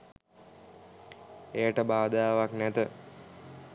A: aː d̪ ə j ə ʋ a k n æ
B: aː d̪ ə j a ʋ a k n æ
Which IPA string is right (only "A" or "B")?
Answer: B